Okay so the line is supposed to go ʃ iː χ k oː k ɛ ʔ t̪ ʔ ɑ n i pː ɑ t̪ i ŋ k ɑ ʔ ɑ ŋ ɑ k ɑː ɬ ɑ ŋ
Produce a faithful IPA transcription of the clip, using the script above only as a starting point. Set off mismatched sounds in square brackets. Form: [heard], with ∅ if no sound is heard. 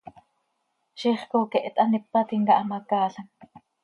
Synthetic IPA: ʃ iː χ k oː k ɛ ʔ t̪ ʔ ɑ n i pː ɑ t̪ i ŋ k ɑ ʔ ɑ [m] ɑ k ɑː ɬ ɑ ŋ